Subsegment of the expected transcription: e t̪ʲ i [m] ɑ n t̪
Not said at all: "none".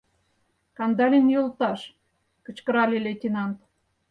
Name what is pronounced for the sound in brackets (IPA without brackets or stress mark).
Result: n